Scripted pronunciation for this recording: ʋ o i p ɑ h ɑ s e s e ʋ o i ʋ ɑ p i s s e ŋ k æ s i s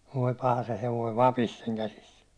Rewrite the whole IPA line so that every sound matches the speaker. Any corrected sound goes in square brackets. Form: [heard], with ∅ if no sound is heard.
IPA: ʋ o i p ɑ h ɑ s e [h] e ʋ o i ʋ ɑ p i s s e ŋ k æ s i s